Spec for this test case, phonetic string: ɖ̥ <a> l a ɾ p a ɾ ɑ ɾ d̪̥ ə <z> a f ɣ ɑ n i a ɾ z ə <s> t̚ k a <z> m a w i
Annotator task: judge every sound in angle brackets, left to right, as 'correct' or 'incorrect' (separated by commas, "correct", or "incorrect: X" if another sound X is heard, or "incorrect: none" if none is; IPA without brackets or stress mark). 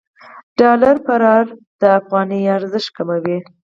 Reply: incorrect: ɑ, incorrect: none, incorrect: ʃ, incorrect: none